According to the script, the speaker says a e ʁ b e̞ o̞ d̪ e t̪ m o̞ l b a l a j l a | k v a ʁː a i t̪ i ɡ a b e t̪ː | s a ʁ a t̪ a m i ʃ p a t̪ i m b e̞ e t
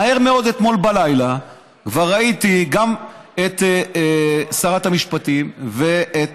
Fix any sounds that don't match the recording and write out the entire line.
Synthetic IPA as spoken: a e ʁ m e̞ o̞ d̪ e t̪ m o̞ l b a l a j l a | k v a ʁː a i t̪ i ɡ a m e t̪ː | s a ʁ a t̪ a m i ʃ p a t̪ i m v e̞ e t